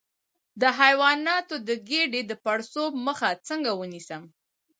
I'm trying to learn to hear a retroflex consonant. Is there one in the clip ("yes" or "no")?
yes